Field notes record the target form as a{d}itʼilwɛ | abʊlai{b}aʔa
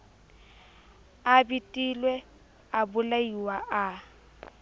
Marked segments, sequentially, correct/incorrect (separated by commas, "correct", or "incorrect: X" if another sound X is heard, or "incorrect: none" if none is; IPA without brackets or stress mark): incorrect: b, incorrect: w